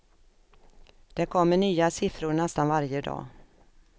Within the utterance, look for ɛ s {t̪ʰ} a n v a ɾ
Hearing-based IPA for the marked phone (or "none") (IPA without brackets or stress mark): t̪